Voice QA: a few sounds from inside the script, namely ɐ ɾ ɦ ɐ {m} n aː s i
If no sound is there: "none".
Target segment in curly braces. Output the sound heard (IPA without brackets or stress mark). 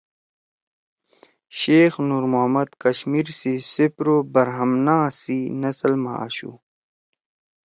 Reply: m